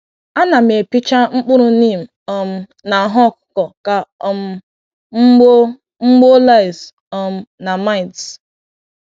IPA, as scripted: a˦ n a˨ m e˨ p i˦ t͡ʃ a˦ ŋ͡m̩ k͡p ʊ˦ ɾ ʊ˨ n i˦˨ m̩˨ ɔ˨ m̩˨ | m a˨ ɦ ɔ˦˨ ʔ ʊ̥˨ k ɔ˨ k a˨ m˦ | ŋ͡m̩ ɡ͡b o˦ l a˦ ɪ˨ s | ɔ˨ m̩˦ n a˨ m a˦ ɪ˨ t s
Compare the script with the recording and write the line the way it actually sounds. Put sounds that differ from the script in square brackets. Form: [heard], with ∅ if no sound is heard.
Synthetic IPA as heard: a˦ n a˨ m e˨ p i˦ t͡ʃ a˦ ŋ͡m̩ k͡p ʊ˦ ɾ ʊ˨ n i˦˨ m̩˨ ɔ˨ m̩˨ | [n] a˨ ɦ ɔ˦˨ [k] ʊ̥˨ k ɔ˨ k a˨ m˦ | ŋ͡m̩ ɡ͡b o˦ l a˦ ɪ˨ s | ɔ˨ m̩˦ n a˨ m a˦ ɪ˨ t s